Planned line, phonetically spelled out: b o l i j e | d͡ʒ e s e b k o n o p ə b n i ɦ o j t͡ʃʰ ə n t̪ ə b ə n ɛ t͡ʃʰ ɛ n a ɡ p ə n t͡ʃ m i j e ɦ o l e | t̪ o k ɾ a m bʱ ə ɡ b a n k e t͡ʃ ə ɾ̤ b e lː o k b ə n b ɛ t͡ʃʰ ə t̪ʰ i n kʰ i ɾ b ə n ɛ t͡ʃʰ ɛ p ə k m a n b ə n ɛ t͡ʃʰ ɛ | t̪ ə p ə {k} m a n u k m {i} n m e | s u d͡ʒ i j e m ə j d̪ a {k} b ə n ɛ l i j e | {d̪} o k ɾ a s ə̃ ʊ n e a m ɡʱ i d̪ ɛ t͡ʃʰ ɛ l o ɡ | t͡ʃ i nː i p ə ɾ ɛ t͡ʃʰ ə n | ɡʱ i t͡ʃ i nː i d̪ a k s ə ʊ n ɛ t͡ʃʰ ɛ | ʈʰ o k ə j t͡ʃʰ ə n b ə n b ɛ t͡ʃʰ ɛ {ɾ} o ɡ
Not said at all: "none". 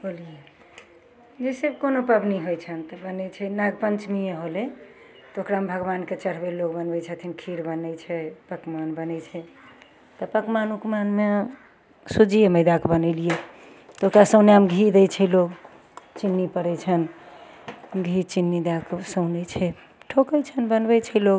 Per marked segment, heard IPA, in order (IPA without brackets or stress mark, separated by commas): k, a, k, t̪, l